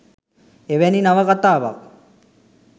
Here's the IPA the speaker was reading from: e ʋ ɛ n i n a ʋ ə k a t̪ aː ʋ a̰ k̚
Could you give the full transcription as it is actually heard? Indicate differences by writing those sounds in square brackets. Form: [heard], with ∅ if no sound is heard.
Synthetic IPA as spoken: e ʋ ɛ n i n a ʋ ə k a t̪ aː ʋ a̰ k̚